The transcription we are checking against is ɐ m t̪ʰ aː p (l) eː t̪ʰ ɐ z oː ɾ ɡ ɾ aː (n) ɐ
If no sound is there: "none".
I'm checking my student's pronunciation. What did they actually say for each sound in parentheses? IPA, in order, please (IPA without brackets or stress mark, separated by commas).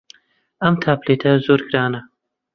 l, n